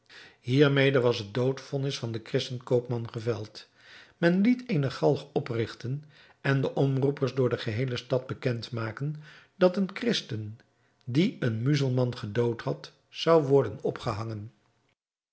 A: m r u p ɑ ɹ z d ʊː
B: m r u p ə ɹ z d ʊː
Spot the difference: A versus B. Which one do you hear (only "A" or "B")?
B